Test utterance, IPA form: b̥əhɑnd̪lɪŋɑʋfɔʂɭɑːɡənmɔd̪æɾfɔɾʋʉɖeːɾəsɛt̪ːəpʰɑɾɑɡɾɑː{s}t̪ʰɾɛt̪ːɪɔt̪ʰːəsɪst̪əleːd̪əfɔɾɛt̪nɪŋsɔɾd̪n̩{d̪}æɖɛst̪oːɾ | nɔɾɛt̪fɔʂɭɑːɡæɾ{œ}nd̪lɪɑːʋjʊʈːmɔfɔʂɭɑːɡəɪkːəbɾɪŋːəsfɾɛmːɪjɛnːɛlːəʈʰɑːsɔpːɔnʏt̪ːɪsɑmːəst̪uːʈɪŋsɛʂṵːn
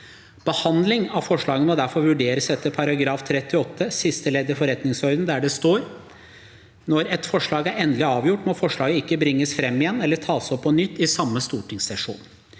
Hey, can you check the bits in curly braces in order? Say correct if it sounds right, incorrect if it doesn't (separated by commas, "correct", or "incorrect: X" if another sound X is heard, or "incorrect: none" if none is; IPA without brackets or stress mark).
incorrect: f, correct, incorrect: ɛ